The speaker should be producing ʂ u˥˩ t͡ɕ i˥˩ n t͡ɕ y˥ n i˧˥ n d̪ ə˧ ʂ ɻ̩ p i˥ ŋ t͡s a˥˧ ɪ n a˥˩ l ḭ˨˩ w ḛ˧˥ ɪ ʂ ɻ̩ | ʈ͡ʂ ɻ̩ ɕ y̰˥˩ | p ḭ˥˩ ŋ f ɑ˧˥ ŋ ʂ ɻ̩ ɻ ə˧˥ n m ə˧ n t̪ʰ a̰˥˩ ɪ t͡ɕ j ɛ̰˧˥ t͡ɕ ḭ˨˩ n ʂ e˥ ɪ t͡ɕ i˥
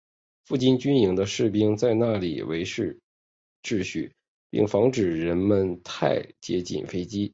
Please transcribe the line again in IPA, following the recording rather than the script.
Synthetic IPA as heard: f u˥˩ t͡ɕ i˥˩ n t͡ɕ y˥ n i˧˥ ŋ d̪ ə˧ ʂ ɻ̩ p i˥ ŋ t͡s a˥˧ ɪ n a˥˩ l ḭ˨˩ w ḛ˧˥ ɪ ʂ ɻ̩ | ʈ͡ʂ ɻ̩ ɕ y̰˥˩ | p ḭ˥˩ ŋ f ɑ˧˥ ŋ ʈ͡ʂ ɻ̩ ɻ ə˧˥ n m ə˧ n t̪ʰ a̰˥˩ ɪ t͡ɕ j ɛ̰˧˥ t͡ɕ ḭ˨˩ n f e˥ ɪ t͡ɕ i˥

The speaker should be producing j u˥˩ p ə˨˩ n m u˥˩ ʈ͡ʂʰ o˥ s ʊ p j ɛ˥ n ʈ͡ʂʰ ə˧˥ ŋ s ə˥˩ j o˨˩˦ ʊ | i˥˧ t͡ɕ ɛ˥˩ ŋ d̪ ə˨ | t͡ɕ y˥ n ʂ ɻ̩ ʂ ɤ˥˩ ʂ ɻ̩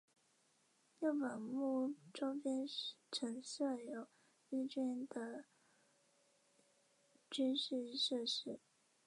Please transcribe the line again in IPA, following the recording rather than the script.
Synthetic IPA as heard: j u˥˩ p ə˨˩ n m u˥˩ ʈ͡ʂ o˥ ʊ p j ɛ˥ n ʈ͡ʂʰ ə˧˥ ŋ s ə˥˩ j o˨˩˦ ʊ | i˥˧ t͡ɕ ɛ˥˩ n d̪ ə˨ | t͡ɕ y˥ n ʂ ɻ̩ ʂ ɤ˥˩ ʂ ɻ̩

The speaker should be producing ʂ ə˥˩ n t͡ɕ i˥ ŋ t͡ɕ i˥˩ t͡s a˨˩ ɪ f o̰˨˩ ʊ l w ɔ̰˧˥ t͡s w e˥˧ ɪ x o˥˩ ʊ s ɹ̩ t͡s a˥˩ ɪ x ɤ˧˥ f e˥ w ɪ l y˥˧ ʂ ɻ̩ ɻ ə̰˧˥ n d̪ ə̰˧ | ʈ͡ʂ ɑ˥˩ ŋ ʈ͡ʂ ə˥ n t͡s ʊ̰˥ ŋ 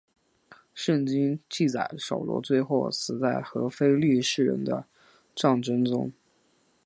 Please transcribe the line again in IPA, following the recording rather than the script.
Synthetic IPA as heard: ʂ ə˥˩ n t͡ɕ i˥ ŋ t͡ɕ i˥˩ t͡s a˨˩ ɪ ʂ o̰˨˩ ʊ l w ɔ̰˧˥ t͡s w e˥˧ ɪ x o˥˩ ʊ s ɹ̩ t͡s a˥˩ ɪ x ɤ˧˥ f e˥ ɪ l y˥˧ ʂ ɻ̩ ɻ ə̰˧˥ n d̪ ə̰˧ | ʈ͡ʂ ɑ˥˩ ŋ ʈ͡ʂ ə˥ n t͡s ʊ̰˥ ŋ

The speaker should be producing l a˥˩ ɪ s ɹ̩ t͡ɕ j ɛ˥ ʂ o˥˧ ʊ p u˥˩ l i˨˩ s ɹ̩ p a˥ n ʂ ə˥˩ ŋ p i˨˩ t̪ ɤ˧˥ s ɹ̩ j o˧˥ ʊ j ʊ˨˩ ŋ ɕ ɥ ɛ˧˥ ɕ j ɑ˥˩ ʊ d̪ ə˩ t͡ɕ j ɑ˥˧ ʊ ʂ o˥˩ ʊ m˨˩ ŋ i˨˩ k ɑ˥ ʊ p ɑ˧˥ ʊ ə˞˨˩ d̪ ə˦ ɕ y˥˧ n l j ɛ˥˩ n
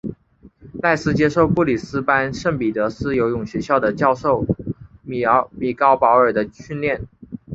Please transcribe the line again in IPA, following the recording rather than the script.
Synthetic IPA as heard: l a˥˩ ɪ s ɹ̩ t͡ɕ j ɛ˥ ʂ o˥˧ ʊ p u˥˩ l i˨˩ s ɹ̩ p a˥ n ʂ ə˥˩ ŋ p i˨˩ t̪ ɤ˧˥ s ɹ̩ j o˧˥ ʊ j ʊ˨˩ ŋ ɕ ɥ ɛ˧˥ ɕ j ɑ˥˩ ʊ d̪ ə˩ t͡ɕ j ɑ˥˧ ʊ ʂ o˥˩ ʊ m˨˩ m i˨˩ k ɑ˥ ʊ p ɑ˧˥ ʊ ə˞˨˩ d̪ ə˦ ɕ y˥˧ n l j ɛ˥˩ n

